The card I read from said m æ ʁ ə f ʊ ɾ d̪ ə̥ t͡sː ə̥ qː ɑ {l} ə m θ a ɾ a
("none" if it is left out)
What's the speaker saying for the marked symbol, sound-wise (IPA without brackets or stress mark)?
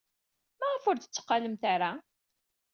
l